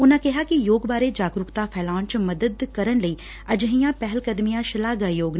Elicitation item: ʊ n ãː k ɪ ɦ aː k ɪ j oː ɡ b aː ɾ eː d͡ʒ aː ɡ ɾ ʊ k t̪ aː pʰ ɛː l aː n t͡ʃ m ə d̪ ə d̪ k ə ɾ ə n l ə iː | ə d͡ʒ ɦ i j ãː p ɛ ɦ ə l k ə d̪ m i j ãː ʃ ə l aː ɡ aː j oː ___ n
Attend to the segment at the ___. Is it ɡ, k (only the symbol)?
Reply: ɡ